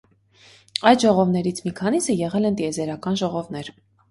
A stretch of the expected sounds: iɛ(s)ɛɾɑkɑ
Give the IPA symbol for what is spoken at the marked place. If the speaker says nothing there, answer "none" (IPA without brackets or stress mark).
z